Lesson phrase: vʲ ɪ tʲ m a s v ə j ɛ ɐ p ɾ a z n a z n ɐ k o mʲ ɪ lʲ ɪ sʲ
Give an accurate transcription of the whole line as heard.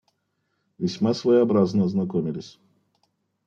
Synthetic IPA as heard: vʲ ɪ sʲ m a s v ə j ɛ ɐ b ɾ a z n ə z n ɐ k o mʲ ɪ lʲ ɪ sʲ